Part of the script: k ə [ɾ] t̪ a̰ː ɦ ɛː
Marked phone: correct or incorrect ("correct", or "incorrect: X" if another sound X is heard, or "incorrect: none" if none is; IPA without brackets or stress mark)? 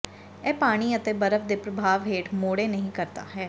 correct